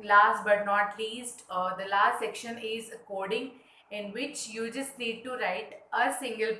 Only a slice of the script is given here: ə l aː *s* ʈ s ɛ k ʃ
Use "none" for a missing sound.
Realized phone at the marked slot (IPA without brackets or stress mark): s